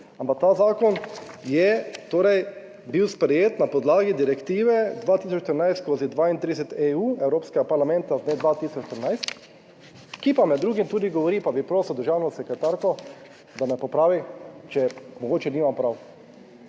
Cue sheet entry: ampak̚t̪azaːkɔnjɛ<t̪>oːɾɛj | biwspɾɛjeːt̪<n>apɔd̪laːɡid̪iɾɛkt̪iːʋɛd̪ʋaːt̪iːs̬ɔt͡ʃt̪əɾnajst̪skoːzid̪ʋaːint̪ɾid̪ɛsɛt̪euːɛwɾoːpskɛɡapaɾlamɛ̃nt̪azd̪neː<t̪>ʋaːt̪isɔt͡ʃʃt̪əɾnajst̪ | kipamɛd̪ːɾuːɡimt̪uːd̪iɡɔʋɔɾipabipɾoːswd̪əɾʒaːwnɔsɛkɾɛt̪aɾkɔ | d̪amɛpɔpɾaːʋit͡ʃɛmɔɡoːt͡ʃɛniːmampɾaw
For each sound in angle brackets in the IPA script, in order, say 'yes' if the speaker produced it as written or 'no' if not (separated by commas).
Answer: yes, yes, no